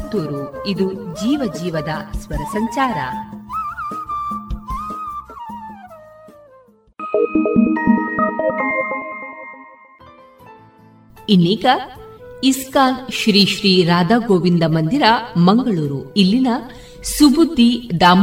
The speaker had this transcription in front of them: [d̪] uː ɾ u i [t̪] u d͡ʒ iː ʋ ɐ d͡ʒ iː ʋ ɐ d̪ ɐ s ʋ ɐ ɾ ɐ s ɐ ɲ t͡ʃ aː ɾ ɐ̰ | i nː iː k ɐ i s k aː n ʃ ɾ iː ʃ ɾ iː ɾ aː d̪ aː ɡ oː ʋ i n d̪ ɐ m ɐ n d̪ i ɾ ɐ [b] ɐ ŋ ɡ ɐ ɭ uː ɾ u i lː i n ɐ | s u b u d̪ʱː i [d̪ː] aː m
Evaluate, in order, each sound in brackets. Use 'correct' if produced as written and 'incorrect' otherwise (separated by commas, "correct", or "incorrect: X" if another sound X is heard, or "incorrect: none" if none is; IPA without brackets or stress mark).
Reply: incorrect: t̪, incorrect: d̪, incorrect: m, incorrect: d̪